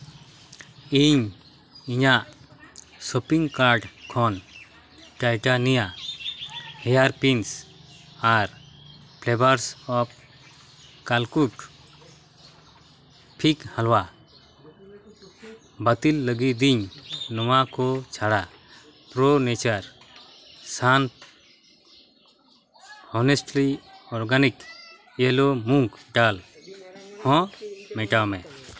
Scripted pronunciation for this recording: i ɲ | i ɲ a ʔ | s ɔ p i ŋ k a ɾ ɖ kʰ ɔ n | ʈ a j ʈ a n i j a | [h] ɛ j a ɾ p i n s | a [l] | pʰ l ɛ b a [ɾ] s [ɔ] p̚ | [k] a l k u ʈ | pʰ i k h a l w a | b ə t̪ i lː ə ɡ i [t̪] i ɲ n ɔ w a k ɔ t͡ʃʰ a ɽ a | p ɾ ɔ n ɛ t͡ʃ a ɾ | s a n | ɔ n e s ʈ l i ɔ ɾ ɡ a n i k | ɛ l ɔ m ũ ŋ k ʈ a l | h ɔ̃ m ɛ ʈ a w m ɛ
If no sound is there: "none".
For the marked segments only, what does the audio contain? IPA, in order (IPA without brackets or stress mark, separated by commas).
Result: h, ɾ, ɾ, ɔ, k, d̪